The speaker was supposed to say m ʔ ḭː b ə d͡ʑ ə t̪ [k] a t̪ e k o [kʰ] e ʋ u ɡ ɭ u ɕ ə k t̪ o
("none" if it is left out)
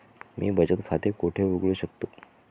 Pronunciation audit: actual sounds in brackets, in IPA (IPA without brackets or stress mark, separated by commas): kʰ, ʈʰ